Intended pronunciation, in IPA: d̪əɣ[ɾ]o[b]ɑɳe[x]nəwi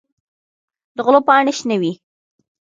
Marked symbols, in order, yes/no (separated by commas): no, no, no